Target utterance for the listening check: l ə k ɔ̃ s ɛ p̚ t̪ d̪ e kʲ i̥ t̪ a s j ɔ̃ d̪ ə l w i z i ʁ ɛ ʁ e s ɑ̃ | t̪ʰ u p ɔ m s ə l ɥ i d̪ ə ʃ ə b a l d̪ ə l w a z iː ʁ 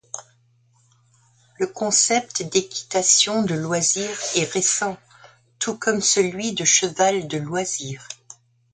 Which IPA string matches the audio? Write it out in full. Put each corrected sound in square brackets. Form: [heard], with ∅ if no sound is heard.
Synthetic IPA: l ə k ɔ̃ s ɛ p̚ t̪ d̪ e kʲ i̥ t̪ a s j ɔ̃ d̪ ə l w [a] z i ʁ ɛ ʁ e s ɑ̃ | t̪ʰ u [k] ɔ m s ə l ɥ i d̪ ə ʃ ə [v] a l d̪ ə l w a z iː ʁ